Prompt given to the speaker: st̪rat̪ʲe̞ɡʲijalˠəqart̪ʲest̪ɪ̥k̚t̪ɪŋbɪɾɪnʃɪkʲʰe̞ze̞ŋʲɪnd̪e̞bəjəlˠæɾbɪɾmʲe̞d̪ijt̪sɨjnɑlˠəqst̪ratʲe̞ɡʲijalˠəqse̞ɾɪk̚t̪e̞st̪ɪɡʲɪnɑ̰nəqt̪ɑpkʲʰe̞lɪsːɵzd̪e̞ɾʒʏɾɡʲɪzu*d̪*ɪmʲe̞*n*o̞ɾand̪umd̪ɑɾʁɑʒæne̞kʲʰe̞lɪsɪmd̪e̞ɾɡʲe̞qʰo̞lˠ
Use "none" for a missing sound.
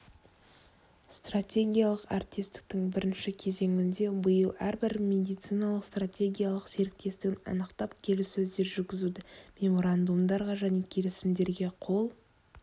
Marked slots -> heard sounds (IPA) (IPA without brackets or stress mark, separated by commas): d̪, m